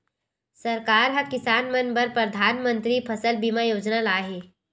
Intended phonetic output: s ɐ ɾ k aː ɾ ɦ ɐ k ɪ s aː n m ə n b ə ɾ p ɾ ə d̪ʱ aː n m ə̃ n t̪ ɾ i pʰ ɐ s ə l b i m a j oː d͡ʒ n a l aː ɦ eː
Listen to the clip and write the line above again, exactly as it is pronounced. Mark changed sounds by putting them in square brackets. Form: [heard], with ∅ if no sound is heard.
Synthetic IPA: s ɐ ɾ k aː ɾ ɦ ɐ k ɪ s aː n m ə n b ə ɾ p ɾ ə d̪ʱ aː n m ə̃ n t̪ ɾ i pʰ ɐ s ə l b i m a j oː d͡ʒ n a l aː ɦ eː